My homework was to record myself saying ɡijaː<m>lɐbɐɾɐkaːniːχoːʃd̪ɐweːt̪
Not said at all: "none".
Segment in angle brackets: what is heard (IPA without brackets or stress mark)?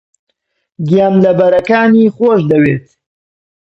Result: m